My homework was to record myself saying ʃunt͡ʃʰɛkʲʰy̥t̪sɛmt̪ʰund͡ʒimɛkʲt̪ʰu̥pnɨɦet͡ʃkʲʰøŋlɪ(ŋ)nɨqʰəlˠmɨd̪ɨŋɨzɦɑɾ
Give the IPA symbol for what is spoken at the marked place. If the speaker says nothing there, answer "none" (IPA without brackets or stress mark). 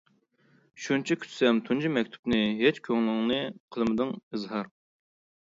ŋ